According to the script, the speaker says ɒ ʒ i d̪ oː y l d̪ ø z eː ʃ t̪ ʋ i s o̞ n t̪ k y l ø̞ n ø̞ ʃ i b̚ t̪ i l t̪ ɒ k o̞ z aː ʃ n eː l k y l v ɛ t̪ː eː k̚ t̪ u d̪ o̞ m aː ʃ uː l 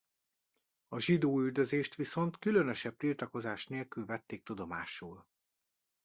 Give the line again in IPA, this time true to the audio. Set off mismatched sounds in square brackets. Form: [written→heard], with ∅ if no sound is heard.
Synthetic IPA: ɒ ʒ i d̪ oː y l d̪ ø z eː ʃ t̪ ʋ i s o̞ n t̪ k y l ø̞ n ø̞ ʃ [i→ɛ] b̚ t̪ i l t̪ ɒ k o̞ z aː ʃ n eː l k y l v ɛ t̪ː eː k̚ t̪ u d̪ o̞ m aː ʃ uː l

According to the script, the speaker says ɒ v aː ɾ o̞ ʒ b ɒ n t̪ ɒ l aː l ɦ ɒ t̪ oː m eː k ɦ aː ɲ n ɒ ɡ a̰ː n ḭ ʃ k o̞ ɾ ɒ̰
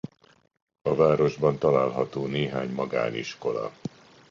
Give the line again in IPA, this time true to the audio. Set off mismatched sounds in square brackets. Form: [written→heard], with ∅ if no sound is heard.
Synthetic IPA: ɒ v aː ɾ o̞ ʒ b ɒ n t̪ ɒ l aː l ɦ ɒ t̪ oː [m→n] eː [k→∅] ɦ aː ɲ [n→m] ɒ ɡ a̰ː n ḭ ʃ k o̞ [ɾ→l] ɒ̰

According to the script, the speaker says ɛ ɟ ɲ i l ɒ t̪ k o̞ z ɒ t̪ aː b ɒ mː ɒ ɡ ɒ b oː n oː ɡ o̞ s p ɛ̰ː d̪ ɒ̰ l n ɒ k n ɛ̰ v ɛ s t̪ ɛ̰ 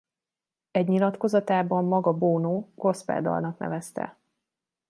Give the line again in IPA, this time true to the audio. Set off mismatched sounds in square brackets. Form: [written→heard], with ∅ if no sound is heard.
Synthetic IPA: ɛ ɟ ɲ i l ɒ t̪ k o̞ z ɒ t̪ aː b ɒ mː ɒ ɡ ɒ b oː n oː ɡ o̞ s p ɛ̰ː d̪ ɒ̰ l n ɒ k n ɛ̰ v ɛ s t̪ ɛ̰

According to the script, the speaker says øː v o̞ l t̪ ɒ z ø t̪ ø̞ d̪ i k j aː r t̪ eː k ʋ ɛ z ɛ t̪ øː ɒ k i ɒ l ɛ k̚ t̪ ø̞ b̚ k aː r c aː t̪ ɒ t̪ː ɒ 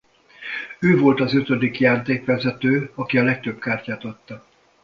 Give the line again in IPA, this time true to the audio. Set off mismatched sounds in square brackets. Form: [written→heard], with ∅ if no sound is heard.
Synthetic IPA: øː v o̞ l t̪ ɒ z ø t̪ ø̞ d̪ i k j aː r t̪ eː k ʋ ɛ z ɛ t̪ øː ɒ k i ɒ l ɛ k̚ t̪ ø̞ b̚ k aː r c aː t̪ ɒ t̪ː ɒ

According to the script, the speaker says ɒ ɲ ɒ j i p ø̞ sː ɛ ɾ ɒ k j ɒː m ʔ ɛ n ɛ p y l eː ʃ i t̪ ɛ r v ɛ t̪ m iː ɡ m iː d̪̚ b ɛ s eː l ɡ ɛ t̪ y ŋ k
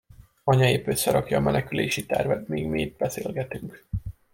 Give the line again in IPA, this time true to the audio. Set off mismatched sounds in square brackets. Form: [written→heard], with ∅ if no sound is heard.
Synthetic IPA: ɒ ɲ ɒ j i p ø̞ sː ɛ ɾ ɒ k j ɒː m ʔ ɛ n ɛ [p→k] y l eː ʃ i t̪ ɛ r v ɛ t̪ m iː ɡ m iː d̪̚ b ɛ s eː l ɡ ɛ t̪ y ŋ k

